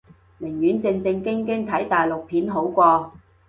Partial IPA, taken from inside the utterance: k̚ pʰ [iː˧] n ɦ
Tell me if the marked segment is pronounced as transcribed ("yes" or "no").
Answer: no